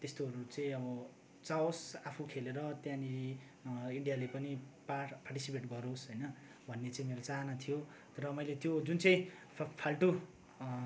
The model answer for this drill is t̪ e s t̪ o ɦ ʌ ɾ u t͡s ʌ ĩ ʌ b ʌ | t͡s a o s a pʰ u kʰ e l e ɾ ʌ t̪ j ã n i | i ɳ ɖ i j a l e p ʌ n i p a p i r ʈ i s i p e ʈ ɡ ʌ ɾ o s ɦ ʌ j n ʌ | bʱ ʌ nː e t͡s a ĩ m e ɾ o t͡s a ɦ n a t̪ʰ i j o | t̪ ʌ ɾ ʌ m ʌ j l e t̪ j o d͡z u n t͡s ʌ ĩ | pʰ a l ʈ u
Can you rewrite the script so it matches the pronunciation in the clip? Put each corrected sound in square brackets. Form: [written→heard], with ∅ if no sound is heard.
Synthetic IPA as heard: t̪ e s t̪ o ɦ ʌ ɾ u t͡s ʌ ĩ ʌ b ʌ | t͡s a o s a pʰ u kʰ e l e ɾ ʌ t̪ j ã n i | i ɳ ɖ i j a l e p ʌ n i p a p [i→a] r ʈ i s i p e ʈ ɡ ʌ ɾ o s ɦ ʌ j n ʌ | bʱ ʌ nː e t͡s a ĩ m e ɾ o t͡s a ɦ n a t̪ʰ i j o | t̪ ʌ ɾ ʌ m ʌ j l e t̪ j o d͡z u n t͡s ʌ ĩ | pʰ a l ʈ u